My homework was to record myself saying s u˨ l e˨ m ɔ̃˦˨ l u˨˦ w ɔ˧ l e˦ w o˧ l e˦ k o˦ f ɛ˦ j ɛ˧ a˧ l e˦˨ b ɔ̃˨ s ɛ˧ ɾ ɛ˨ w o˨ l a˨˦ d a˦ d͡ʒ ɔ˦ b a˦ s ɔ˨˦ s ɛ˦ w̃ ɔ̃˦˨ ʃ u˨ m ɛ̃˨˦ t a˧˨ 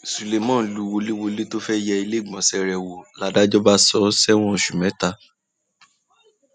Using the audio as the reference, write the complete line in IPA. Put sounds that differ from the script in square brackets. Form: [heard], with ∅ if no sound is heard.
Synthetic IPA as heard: s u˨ l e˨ m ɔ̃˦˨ l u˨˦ w [o˧] l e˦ w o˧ l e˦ [t] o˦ f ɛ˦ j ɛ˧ [i˧] l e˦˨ [ɡ͡b] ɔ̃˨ s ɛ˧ ɾ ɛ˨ w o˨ l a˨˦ d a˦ d͡ʒ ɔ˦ b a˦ s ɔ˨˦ s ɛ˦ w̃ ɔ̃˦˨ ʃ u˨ m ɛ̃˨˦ t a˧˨